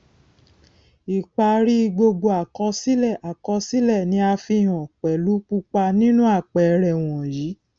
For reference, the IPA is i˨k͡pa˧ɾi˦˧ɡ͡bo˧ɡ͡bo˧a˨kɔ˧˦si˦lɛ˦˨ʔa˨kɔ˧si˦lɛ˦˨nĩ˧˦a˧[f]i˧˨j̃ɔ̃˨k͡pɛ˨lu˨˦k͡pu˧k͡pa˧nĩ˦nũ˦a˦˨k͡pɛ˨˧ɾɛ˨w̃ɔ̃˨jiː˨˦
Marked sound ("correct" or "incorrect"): correct